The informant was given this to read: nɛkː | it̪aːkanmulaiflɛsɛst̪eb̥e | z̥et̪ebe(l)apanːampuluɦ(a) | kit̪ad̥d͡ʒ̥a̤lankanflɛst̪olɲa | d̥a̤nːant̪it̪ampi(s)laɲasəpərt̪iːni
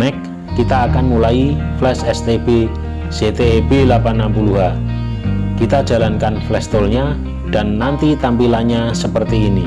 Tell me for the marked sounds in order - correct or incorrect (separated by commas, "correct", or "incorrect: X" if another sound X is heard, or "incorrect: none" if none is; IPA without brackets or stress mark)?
correct, correct, incorrect: none